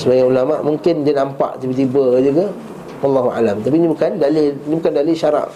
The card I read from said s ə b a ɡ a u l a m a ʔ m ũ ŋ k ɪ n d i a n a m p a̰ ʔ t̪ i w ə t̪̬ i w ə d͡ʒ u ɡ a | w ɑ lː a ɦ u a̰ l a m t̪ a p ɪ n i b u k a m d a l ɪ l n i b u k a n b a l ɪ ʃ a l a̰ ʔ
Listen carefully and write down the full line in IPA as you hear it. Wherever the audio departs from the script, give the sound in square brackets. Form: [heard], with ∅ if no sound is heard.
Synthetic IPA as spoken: s ə b a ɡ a u l a m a ʔ m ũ ŋ k ɪ n d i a n a m p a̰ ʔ t̪ i [b] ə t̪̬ i [b] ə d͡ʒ u ɡ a | w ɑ lː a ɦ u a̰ l a m t̪ a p [i] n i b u k a [n] d a l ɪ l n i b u k a n [d] a l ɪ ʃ a [ɾ] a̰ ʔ